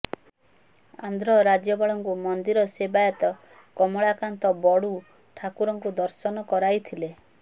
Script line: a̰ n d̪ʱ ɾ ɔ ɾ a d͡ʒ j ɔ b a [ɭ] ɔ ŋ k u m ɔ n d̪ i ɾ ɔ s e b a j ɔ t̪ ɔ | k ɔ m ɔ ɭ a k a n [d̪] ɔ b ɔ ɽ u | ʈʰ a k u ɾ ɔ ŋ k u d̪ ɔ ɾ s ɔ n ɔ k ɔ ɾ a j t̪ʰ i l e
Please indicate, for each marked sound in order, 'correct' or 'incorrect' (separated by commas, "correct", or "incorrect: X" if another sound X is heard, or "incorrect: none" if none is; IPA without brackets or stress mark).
correct, incorrect: t̪